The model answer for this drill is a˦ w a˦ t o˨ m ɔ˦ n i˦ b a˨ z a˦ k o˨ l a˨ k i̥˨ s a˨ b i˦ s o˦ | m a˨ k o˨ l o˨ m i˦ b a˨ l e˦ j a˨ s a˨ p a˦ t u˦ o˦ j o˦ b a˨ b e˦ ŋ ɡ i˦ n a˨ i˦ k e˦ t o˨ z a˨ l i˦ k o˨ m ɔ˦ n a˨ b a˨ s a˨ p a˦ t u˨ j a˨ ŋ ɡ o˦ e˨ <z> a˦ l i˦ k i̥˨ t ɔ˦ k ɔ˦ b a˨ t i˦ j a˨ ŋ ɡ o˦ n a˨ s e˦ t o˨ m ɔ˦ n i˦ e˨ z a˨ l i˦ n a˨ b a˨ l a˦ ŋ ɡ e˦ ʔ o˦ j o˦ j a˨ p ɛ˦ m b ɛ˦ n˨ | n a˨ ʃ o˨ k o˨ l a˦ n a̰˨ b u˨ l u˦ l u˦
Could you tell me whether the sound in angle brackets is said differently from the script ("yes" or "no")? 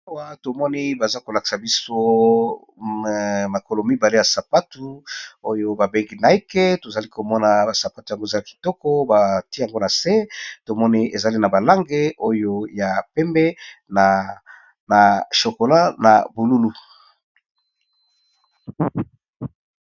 no